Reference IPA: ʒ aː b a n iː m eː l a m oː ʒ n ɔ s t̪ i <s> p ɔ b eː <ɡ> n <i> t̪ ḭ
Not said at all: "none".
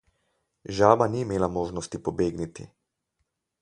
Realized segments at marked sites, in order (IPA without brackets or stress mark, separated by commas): none, ɡ, i